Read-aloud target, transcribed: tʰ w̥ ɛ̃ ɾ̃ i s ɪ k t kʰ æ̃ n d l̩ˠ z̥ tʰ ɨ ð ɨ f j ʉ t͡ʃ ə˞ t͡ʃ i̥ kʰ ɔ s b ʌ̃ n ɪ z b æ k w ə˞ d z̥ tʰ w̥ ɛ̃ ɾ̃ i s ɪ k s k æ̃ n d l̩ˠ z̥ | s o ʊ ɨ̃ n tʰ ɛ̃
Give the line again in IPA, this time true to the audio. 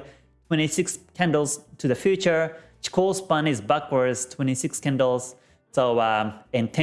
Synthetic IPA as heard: tʰ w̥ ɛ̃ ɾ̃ i s ɪ k s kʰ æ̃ n d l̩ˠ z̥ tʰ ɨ ð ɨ f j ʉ t͡ʃ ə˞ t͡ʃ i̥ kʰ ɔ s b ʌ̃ n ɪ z b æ k w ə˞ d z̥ tʰ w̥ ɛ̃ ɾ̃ i s ɪ k s k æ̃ n d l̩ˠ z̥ | s o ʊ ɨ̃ n tʰ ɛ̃

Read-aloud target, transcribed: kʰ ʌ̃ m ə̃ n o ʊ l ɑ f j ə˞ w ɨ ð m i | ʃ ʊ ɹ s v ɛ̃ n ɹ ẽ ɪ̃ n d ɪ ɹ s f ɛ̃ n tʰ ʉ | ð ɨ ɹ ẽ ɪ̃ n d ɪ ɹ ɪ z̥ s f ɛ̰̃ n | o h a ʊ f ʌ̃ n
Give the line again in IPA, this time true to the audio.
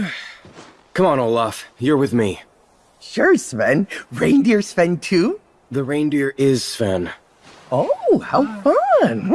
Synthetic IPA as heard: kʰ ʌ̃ m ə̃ n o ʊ l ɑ f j ə˞ w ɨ ð m i | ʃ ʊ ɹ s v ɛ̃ n ɹ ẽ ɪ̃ n d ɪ ɹ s f ɛ̃ n tʰ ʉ | ð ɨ ɹ ẽ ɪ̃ n d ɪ ɹ ɪ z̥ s f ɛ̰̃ n | o h a ʊ f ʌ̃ n

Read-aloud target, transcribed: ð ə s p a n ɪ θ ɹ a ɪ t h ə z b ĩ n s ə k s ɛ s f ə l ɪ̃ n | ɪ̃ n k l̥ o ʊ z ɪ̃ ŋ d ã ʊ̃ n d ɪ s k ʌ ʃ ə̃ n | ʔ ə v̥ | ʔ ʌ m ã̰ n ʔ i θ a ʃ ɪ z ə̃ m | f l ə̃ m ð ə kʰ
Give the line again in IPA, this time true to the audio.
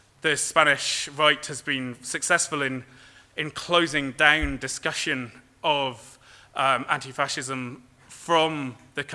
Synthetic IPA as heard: ð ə s p a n ɪ ʃ ɹ a ɪ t h ə z b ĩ n s ə k s ɛ s f ə l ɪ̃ n | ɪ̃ n kʰ l̥ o ʊ z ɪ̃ ŋ d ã ʊ̃ n d ɪ s k ʌ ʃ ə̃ n | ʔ ə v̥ | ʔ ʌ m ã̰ n t i f a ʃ ɪ z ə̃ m | f ɹ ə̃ m ð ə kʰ

